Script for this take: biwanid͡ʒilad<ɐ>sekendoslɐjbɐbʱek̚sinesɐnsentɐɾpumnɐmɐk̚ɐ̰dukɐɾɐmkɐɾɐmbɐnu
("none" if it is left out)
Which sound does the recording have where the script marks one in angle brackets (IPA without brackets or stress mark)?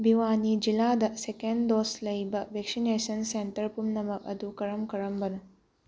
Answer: ɐ